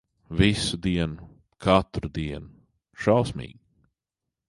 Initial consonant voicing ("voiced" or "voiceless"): voiced